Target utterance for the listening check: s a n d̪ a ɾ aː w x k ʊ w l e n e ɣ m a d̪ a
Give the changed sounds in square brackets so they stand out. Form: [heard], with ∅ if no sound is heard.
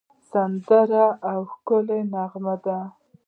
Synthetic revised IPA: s a n d̪ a ɾ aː w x k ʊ [∅] l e n [a] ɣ m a d̪ a